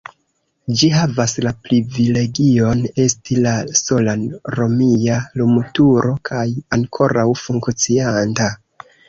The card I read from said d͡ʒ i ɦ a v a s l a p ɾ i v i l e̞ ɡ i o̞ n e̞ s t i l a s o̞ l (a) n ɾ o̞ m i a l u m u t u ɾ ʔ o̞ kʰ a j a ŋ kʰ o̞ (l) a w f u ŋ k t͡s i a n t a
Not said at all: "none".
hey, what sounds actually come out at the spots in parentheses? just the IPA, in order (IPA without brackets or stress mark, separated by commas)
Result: a, ɾ